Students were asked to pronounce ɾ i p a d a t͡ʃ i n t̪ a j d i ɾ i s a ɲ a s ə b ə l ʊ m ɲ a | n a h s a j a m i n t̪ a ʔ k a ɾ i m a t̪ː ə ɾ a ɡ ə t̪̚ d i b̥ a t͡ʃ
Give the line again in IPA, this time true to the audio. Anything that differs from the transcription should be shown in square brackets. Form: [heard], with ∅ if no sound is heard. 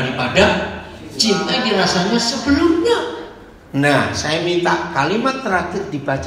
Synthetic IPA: ɾ i p a d a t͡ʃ i n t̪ a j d i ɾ [a] s a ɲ a s ə b ə l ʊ m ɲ a | n a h s a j a m i n t̪ a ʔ k a [l] i m a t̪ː ə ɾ a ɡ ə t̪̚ d i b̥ a t͡ʃ